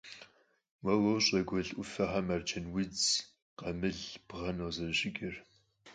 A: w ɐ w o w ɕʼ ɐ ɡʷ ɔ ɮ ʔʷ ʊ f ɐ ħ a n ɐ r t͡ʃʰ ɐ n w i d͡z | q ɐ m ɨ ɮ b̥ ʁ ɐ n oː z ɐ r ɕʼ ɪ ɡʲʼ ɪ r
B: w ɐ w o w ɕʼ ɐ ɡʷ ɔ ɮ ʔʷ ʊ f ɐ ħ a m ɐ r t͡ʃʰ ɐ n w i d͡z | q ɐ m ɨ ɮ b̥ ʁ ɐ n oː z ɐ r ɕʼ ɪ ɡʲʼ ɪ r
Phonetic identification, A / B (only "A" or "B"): B